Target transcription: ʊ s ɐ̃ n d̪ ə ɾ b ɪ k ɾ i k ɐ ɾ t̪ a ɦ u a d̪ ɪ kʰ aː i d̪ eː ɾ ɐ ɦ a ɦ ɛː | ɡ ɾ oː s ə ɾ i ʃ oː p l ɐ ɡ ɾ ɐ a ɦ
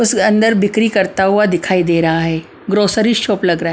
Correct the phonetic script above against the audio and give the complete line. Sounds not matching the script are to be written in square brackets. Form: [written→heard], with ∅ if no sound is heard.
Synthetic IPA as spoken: ʊ s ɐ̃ n d̪ ə ɾ b ɪ k ɾ i k ɐ ɾ t̪ a ɦ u a d̪ ɪ kʰ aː i d̪ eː ɾ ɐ ɦ a ɦ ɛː | ɡ ɾ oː s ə ɾ i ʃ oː p l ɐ ɡ ɾ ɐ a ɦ